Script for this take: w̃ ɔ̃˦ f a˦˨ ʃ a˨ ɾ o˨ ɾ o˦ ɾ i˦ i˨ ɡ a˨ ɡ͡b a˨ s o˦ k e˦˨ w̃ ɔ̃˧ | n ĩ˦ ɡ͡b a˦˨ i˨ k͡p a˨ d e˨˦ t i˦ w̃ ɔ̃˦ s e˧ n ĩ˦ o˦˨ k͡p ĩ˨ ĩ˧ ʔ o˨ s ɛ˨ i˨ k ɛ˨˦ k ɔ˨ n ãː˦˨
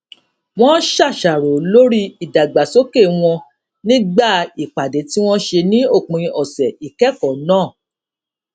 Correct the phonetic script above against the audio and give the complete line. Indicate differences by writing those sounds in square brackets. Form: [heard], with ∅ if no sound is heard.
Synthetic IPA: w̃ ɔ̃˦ [ʃ] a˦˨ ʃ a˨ ɾ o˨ [l] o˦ ɾ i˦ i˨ [d] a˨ ɡ͡b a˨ s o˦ k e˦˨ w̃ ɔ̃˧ | n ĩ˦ ɡ͡b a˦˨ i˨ k͡p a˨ d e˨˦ t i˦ w̃ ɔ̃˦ [ʃ] e˧ n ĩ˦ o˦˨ k͡p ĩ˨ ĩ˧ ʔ [ɔ˨] s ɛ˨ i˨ k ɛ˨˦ k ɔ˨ n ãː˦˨